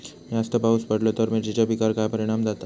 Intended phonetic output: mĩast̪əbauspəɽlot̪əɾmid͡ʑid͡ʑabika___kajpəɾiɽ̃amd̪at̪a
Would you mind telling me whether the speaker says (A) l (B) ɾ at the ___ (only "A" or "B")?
B